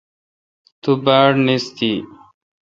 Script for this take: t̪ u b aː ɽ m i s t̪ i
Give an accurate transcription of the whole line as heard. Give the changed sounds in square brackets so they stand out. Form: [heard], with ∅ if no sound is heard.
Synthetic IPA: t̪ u b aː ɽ [n] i s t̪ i